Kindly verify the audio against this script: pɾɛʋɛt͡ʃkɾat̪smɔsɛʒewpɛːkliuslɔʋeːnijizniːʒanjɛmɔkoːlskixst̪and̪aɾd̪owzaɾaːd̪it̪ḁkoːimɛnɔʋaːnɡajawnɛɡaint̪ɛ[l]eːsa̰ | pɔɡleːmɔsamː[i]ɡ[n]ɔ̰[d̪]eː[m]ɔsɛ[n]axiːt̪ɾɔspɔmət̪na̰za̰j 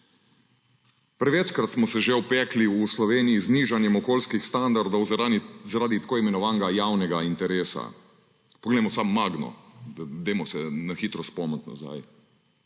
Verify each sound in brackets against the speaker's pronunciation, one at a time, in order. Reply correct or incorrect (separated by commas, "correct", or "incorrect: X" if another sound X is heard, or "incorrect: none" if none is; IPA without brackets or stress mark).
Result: incorrect: ɾ, incorrect: a, correct, correct, correct, correct